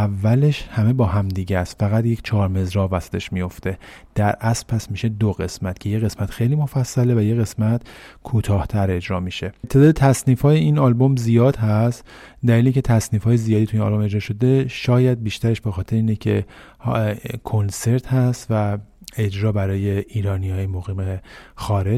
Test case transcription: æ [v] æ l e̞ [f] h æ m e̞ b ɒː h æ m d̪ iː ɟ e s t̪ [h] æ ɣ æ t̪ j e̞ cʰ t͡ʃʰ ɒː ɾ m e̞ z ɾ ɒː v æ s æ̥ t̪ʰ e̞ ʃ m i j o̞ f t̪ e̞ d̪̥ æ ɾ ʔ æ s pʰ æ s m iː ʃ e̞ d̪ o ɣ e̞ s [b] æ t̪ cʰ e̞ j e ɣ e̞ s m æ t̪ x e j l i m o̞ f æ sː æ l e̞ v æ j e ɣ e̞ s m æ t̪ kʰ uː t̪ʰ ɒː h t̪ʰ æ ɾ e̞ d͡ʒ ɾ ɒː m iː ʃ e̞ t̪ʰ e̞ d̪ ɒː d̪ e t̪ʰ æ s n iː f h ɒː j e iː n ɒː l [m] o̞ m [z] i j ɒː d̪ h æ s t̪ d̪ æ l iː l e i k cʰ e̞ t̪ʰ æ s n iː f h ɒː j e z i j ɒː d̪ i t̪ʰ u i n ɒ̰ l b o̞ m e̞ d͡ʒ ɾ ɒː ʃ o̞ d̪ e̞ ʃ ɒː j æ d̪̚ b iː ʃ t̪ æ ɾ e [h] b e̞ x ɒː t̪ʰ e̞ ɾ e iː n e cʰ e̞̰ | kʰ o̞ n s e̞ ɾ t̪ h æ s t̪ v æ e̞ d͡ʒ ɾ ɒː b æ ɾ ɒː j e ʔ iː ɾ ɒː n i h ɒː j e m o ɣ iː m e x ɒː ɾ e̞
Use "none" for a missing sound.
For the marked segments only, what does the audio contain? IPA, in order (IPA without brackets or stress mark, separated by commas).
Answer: vː, ʃ, f, m, b, z, ʃ